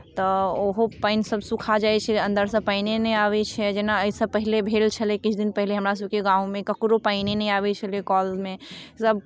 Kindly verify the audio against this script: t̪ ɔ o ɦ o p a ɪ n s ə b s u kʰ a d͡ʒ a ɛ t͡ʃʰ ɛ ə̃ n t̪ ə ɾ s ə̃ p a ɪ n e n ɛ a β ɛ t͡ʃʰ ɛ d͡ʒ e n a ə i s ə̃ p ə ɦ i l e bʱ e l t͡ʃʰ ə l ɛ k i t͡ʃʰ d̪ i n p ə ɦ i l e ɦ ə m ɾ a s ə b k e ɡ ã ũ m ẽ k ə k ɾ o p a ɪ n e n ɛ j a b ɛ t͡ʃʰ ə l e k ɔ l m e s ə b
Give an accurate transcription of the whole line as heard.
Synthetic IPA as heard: t̪ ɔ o ɦ o p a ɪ n s ə b s u kʰ a d͡ʒ a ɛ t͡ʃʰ ɛ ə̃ n d̪ ə ɾ s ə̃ p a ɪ n e n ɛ a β ɛ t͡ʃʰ ɛ d͡ʒ e n a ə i s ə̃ p ə ɦ i l e bʱ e l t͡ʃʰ ə l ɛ k i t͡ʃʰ d̪ i n p ə ɦ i l e ɦ ə m ɾ a s ə b k e ɡ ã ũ m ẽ k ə k ɾ o p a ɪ n e n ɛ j a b ɛ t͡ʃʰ ə l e k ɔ l m e s ə b